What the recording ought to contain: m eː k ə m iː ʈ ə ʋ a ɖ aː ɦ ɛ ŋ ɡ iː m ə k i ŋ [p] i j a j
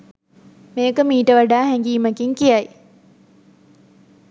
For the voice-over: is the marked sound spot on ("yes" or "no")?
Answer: no